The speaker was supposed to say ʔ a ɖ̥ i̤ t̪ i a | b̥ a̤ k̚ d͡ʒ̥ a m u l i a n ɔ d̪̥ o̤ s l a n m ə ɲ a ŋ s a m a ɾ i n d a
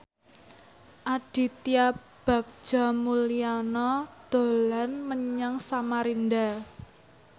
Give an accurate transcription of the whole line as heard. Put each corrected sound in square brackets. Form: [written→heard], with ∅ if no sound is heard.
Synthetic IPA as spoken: ʔ a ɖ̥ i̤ t̪ i a | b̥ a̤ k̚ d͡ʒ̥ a m u l i a n ɔ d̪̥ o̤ [s→∅] l a n m ə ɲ a ŋ s a m a ɾ i n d a